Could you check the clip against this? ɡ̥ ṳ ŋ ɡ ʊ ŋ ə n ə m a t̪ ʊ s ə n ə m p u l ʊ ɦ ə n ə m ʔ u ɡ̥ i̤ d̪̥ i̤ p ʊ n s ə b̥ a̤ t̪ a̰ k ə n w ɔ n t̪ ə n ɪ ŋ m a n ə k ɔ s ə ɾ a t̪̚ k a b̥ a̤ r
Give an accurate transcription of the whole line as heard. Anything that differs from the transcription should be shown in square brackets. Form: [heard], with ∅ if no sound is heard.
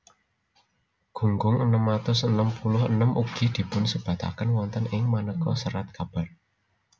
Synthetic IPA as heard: ɡ̥ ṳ ŋ ɡ ʊ ŋ ə n ə m a t̪ ʊ s ə n ə m p u l ʊ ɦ ə n ə m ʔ u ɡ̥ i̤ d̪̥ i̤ p ʊ n s ə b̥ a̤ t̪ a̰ k ə n w ɔ n t̪ ə n ɪ ŋ m a n ə k ɔ s ə ɾ a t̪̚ k a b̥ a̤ r